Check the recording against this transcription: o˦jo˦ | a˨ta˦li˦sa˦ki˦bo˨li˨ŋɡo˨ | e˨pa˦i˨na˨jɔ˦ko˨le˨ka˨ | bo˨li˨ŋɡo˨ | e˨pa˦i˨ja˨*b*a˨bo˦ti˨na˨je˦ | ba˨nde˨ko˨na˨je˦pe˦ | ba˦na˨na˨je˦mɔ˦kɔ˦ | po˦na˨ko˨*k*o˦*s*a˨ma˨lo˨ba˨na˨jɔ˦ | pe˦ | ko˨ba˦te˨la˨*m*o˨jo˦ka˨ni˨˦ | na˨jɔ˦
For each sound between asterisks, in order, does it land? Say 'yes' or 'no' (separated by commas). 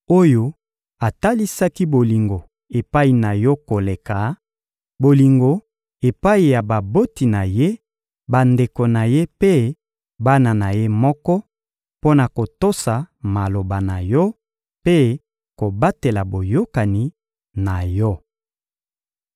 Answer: yes, no, yes, no